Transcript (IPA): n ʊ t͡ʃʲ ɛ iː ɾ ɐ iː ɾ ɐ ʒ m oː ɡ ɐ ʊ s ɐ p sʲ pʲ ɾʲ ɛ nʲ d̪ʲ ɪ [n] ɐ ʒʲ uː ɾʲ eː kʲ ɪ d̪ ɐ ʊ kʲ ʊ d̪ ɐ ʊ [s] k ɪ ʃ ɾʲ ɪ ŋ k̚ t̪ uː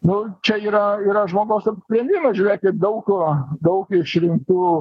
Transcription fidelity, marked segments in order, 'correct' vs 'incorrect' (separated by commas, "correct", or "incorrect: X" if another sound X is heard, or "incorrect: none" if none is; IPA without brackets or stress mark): incorrect: m, incorrect: none